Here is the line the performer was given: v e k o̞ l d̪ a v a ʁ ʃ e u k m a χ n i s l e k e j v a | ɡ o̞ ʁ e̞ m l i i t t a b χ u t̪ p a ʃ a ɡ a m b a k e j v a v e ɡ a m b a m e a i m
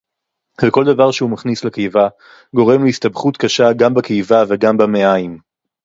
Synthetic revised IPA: v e k o̞ l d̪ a v a ʁ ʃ e u m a χ n i s l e k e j v a | ɡ o̞ ʁ e̞ m l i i s t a b χ u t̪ k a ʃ a ɡ a m b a k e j v a v e ɡ a m b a m e a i m

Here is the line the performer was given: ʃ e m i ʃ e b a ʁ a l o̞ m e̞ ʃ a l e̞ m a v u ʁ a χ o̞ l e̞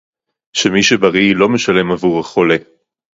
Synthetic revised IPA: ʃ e m i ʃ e b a ʁ i l o̞ m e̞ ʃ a l e̞ m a v u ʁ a χ o̞ l e̞

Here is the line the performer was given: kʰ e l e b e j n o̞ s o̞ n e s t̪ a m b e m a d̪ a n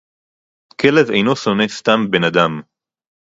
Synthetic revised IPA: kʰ e l e v e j n o̞ s o̞ n e s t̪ a m b e n a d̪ a m

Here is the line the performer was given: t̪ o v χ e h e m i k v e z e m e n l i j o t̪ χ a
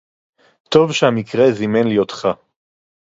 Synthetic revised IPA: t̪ o v ʃ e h a m i k ʁ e z i m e n l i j o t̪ χ a

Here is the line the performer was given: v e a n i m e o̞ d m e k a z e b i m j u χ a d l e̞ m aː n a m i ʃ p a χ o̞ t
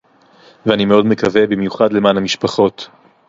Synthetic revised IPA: v e a n i m e o̞ d m e k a v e b i m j u χ a d l e̞ m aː n a m i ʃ p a χ o̞ t

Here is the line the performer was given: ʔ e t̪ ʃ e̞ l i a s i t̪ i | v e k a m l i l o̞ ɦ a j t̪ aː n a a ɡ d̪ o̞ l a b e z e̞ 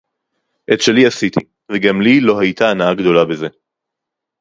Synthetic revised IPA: ʔ e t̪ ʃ e̞ l i a s i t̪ i | v e ɡ a m l i l o̞ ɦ a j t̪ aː n a a ɡ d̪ o̞ l a b e z e̞

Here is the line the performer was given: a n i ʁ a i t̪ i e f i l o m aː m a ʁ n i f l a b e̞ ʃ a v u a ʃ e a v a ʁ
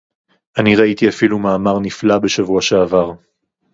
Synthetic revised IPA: a n i ʁ a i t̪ i a f i l u m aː m a ʁ n i f l a b e̞ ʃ a v u a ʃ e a v a ʁ

